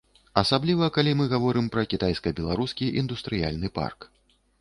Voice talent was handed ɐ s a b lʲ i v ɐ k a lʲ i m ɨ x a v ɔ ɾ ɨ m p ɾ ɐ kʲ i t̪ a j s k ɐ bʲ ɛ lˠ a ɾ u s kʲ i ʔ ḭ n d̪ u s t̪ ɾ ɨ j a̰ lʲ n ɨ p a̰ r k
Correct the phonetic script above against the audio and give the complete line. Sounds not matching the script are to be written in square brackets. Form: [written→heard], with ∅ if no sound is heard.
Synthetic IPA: ɐ s a b lʲ i v ɐ k a lʲ i m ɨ [x→ɣ] a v ɔ ɾ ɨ m p ɾ ɐ kʲ i t̪ a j s k ɐ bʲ ɛ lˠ a ɾ u s kʲ i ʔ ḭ n d̪ u s t̪ ɾ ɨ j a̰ lʲ n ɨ p a̰ r k